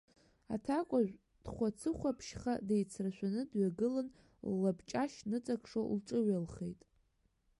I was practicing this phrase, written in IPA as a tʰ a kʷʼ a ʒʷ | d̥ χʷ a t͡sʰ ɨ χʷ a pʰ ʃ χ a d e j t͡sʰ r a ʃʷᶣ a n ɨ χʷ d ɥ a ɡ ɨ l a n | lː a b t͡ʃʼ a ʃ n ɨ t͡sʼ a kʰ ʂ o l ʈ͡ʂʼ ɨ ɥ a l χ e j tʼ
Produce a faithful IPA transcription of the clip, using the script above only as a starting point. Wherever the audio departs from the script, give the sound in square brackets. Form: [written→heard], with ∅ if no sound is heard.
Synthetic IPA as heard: a tʰ a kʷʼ a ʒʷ | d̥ χʷ a t͡sʰ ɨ χʷ a pʰ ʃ χ a d e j t͡sʰ r a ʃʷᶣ a n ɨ [χʷ→∅] d ɥ a ɡ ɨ l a n | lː a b t͡ʃʼ a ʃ n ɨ t͡sʼ a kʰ ʂ o l ʈ͡ʂʼ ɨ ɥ a l χ e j tʼ